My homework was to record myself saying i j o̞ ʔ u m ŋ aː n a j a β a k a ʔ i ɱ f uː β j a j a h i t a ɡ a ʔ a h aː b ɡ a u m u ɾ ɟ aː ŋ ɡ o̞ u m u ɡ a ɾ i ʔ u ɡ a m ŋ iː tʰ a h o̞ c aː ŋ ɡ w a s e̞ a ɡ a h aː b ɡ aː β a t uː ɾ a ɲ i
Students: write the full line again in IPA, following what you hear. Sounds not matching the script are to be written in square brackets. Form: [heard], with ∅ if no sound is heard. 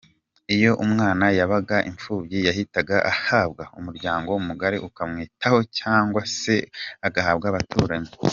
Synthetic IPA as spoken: i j o̞ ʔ u m ŋ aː n a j a β a [ɡ] a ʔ i ɱ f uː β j [i] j a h i t a ɡ a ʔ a h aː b ɡ a u m u ɾ ɟ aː ŋ ɡ o̞ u m u ɡ a ɾ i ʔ u [k] a m ŋ iː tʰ a h o̞ c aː ŋ ɡ w a s e̞ a ɡ a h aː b ɡ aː β a t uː ɾ a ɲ i